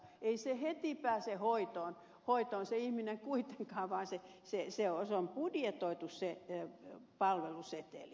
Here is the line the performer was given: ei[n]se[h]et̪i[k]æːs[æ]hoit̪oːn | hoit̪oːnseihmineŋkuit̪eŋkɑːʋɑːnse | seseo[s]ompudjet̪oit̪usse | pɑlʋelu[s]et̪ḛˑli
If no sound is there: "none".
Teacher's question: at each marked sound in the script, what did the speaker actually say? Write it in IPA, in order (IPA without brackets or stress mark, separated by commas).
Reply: none, h, p, e, s, s